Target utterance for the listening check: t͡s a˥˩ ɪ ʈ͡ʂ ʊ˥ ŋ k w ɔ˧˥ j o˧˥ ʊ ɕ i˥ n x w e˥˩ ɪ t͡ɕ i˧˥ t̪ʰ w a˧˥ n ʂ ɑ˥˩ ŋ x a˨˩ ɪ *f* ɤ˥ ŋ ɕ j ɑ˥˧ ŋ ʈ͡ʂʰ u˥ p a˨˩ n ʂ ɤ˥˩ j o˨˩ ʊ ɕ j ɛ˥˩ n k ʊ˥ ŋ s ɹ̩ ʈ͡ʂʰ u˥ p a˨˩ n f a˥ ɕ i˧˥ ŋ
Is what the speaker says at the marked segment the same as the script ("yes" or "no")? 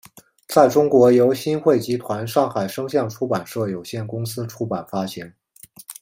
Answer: no